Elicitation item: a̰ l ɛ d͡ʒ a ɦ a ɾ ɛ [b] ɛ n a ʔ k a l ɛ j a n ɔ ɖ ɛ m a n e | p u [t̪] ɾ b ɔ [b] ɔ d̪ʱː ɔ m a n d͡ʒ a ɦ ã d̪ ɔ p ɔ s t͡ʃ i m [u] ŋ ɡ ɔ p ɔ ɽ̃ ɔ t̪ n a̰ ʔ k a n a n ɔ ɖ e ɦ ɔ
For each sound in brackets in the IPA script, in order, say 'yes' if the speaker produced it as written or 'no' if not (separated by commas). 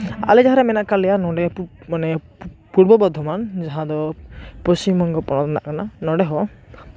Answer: no, no, yes, no